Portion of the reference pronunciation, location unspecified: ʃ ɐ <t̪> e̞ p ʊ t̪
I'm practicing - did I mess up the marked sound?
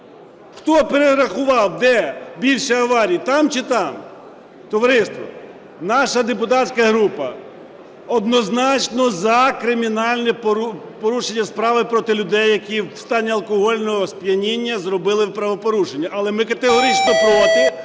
yes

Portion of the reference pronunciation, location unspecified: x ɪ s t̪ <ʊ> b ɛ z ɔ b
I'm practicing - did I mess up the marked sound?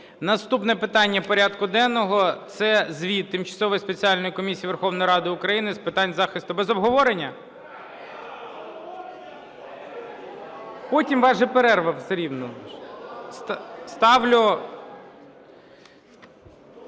no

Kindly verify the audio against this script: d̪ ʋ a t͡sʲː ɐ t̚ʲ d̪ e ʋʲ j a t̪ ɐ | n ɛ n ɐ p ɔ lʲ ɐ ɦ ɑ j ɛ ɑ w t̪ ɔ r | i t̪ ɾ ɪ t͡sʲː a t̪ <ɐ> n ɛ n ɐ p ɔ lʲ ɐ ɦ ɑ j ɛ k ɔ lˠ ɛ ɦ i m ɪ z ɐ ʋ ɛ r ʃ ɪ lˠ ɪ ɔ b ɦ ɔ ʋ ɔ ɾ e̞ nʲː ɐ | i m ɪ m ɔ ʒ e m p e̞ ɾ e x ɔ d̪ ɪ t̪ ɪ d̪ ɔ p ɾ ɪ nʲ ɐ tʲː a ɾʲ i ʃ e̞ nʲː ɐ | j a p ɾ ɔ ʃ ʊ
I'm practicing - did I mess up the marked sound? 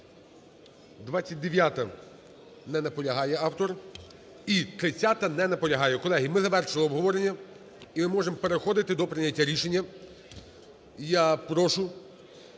no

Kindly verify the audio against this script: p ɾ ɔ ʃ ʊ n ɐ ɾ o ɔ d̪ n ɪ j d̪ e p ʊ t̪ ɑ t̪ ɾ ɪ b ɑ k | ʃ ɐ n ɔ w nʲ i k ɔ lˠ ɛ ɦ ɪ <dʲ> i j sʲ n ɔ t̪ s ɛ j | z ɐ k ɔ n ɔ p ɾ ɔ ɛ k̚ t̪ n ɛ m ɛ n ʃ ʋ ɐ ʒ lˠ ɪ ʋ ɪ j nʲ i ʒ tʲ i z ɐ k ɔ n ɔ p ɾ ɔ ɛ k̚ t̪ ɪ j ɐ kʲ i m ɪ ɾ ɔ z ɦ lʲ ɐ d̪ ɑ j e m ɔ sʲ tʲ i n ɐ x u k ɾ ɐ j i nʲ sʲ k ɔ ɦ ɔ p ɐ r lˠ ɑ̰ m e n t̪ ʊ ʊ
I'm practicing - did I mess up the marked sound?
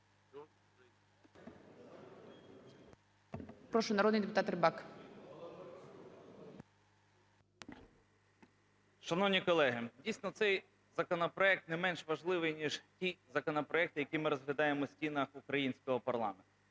no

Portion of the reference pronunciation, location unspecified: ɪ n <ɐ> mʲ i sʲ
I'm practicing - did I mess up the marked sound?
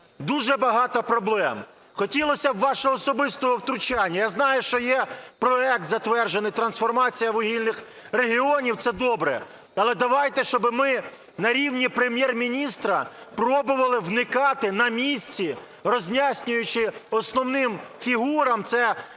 no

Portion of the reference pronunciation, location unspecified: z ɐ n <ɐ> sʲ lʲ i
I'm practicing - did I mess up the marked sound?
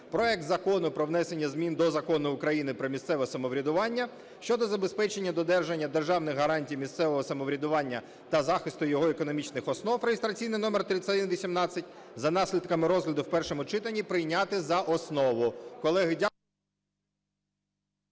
yes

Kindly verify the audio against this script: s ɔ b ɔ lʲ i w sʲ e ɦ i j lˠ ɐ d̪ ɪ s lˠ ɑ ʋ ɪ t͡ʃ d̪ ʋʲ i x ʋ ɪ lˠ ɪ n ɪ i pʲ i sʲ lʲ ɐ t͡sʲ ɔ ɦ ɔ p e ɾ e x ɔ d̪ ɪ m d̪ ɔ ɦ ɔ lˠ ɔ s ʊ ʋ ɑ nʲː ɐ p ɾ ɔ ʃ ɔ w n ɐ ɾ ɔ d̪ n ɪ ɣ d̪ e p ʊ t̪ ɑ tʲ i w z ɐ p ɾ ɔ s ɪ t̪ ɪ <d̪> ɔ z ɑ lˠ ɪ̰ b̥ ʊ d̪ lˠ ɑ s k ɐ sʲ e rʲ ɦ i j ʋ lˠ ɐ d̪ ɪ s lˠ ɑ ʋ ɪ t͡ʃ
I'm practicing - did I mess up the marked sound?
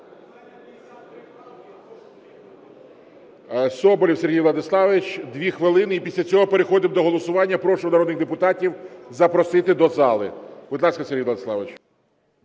no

